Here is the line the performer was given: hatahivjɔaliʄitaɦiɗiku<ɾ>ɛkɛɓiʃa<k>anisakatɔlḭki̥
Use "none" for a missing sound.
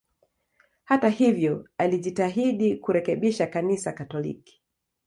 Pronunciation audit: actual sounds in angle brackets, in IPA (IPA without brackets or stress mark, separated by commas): ɾ, k